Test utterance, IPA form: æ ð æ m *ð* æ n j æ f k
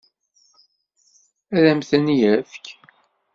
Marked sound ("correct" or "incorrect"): incorrect